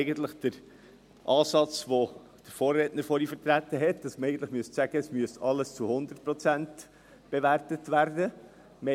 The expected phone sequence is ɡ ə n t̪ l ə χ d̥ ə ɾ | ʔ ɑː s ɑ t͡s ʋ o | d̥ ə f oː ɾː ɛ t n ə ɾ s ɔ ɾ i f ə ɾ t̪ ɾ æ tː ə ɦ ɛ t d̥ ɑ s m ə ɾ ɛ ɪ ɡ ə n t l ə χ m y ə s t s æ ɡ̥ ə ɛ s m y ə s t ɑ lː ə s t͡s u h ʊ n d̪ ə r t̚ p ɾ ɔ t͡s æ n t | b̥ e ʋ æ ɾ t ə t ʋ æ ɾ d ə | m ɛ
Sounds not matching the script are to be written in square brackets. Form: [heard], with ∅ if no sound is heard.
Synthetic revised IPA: ɡ ə n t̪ l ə χ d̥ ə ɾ | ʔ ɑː s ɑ t͡s ʋ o | d̥ ə f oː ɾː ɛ t n ə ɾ [f] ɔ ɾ i f ə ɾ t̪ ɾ æ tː ə ɦ ɛ t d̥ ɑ s m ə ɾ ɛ ɪ ɡ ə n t l ə χ m y ə s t s æ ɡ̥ ə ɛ s m y ə s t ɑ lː ə s t͡s u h ʊ n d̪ ə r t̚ p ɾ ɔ t͡s æ n t | b̥ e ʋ æ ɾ t ə t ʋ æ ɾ d ə | m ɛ